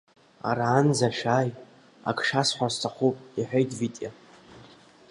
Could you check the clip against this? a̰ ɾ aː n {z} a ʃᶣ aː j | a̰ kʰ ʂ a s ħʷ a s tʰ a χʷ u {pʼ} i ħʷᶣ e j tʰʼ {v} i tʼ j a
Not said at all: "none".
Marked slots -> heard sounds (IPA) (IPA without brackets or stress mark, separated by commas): z, pʼ, v